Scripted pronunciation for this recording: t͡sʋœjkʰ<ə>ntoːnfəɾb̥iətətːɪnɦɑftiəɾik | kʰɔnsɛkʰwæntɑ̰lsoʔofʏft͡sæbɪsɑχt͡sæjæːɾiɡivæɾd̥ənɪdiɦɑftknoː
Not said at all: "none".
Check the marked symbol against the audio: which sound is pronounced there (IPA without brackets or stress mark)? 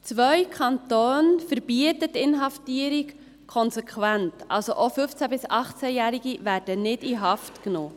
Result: ɑ